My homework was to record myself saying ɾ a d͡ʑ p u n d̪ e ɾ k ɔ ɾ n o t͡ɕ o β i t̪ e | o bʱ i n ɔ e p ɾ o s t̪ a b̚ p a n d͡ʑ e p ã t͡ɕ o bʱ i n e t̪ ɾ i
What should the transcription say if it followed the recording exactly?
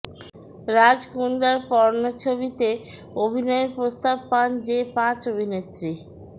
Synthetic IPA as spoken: ɾ a d͡ʑ k u n d̪ a ɾ p ɔ ɾ n o t͡ɕʰ o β i t̪ e | o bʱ i n ɔ e p ɾ o s t̪ a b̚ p a n d͡ʑ e p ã t͡ɕ o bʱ i n e t̪ ɾ i